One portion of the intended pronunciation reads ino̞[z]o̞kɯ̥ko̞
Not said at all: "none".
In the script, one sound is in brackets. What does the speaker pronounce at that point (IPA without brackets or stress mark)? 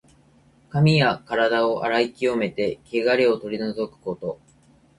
z